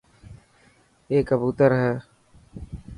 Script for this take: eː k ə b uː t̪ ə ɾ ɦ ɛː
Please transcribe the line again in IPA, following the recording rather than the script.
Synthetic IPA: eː k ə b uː t̪ ə ɾ ɦ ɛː